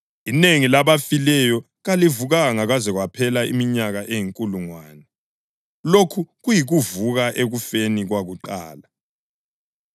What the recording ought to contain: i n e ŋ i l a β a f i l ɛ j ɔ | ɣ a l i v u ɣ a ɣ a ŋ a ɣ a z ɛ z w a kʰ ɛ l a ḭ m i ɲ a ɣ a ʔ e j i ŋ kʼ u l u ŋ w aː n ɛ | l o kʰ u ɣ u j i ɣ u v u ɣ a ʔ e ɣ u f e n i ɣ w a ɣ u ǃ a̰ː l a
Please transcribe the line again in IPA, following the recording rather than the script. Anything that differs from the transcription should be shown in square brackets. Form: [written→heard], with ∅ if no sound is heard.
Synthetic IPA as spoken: i n e ŋ i l a β a f i l ɛ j ɔ | ɣ a l i v u ɣ a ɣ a ŋ a ɣ a z ɛ [z→ɣ] w a [kʰ→pʰ] ɛ l a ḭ m i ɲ a ɣ a ʔ e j i ŋ kʼ u l u ŋ w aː n ɛ | l o kʰ u ɣ u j i ɣ u v u ɣ a ʔ e ɣ u f e n i ɣ w a ɣ u ǃ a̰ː l a

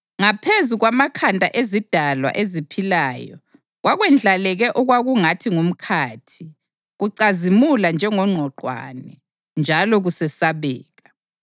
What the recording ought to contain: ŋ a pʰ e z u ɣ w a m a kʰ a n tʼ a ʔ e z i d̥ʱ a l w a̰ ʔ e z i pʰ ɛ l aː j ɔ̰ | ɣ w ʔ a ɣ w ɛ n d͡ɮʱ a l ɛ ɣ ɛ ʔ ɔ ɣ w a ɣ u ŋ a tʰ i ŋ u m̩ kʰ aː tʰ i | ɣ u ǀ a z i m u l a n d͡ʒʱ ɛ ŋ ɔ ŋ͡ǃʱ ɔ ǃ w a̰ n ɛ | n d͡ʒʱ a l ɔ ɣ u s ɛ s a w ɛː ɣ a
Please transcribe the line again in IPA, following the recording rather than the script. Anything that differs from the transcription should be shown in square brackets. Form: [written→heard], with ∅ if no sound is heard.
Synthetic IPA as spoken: ŋ a pʰ e z u ɣ w a m a kʰ a n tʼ a ʔ e z i d̥ʱ a l w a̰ ʔ e z i pʰ [ɛ→i] l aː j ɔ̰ | ɣ w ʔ a ɣ w ɛ n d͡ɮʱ a l ɛ ɣ ɛ ʔ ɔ ɣ w a ɣ u ŋ a tʰ i ŋ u m̩ kʰ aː tʰ i | ɣ u ǀ a z i m u l a n d͡ʒʱ ɛ ŋ ɔ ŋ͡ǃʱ ɔ ǃ w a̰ n ɛ | n d͡ʒʱ a l ɔ ɣ u s ɛ s a [w→β] ɛː ɣ a

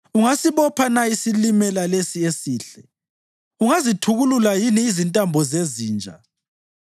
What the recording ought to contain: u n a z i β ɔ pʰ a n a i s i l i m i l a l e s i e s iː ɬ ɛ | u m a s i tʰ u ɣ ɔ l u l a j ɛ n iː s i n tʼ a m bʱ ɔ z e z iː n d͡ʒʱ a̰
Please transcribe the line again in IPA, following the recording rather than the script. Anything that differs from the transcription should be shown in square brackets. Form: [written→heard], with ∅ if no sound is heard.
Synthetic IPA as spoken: u [n→ŋ] a [z→s] i β ɔ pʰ a n a i s i l i m [i→ɛ] l a l e s i e s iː ɬ ɛ | u [m→ŋ] a [s→z] i tʰ u ɣ [ɔ→u] l u l a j [ɛ→i] n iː [s→z] i n tʼ a m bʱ ɔ z e z iː n d͡ʒʱ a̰

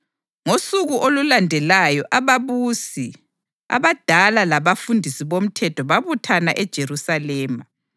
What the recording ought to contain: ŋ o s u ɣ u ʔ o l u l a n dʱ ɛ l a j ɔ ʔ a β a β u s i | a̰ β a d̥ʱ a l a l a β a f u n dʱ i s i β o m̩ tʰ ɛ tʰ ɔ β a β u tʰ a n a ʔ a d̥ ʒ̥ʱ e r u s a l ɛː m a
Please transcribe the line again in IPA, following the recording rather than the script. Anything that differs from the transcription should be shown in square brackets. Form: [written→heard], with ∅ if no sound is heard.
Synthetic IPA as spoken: ŋ o s u ɣ u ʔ o l u l a n dʱ ɛ l a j ɔ ʔ a β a β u s i | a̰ β a d̥ʱ a l a l a β a f u n dʱ i s i β o m̩ tʰ ɛ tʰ ɔ β a β u tʰ a n a ʔ [a→ɛ] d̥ ʒ̥ʱ e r u s a l ɛː m a

